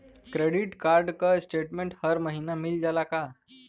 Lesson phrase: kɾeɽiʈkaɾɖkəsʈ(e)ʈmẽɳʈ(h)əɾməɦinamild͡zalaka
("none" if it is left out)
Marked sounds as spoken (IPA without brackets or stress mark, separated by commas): e, h